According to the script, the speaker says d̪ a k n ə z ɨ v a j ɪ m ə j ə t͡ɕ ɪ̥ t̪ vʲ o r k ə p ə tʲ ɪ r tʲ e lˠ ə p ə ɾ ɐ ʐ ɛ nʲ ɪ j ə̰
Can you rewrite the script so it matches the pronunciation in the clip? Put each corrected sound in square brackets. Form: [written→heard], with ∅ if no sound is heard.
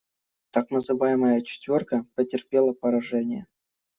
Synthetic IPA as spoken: [d̪→t̪] a k n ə z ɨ v a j ɪ m ə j ə t͡ɕ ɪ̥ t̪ vʲ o r k ə p ə tʲ ɪ r [tʲ→pʲ] e lˠ ə p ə ɾ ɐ ʐ ɛ nʲ ɪ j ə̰